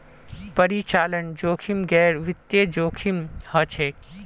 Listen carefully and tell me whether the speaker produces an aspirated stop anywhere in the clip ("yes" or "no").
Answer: yes